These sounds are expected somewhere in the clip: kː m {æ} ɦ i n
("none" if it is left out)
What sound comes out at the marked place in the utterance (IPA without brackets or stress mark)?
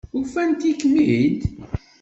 i